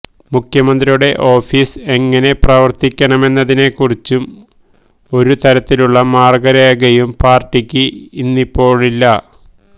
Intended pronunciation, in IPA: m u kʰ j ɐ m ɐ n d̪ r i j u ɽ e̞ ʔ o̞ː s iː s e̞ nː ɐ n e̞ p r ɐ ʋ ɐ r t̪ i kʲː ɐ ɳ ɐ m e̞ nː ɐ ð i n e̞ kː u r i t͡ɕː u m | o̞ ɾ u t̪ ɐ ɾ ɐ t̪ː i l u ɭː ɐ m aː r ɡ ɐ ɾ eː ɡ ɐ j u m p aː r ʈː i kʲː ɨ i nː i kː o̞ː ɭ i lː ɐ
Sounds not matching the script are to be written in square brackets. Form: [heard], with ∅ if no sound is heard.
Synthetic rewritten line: m u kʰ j ɐ m ɐ n d̪ r i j u ɽ e̞ ʔ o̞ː [f] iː s e̞ [ŋː] ɐ n e̞ p r ɐ ʋ ɐ r t̪ i kʲː ɐ ɳ ɐ m e̞ nː ɐ ð i n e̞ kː u r i t͡ɕː u m | o̞ ɾ u t̪ ɐ ɾ ɐ t̪ː i l u ɭː ɐ m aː r ɡ ɐ ɾ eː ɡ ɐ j u m p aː r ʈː i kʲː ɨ i nː i [pː] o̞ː ɭ i lː ɐ